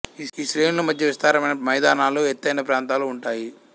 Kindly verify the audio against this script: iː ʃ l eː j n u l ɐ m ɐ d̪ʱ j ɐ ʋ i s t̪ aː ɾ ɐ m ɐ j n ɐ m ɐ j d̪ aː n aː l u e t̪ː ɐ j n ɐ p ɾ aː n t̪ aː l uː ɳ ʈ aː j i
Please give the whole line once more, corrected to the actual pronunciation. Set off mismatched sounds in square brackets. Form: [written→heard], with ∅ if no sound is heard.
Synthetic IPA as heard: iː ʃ [l→ɾ] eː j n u l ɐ m ɐ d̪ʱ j ɐ ʋ i s t̪ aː ɾ ɐ m ɐ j n ɐ m ɐ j d̪ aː n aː l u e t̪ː ɐ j n ɐ p ɾ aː n t̪ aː l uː ɳ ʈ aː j i